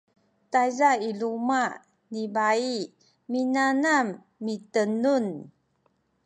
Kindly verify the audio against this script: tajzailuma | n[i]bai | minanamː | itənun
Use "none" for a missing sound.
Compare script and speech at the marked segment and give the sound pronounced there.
i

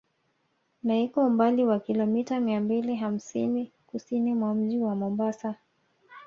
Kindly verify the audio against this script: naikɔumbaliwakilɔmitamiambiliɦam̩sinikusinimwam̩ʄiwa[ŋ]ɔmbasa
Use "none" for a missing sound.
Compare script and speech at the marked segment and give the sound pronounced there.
m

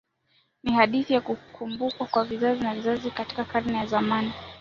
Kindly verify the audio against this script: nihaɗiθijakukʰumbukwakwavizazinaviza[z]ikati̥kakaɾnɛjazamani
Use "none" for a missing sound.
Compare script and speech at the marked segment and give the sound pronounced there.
z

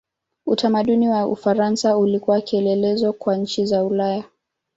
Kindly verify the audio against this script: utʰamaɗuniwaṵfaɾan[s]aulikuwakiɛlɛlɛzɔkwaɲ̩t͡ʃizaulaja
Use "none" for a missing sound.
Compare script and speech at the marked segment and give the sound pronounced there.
s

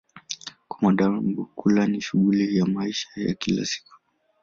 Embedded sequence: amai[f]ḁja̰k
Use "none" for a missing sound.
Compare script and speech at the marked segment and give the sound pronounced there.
ʃ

